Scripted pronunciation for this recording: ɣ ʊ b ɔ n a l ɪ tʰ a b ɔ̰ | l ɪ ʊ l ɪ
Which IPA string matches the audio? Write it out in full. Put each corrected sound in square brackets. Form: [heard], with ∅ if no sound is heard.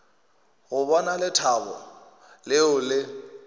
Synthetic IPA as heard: ɣ ʊ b ɔ n a l ɪ tʰ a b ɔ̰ | l ɪ ʊ l ɪ